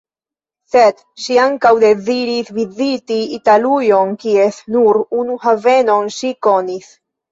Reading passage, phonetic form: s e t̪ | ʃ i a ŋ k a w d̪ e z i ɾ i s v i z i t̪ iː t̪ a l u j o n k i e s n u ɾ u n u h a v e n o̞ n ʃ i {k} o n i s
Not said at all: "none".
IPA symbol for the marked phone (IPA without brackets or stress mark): k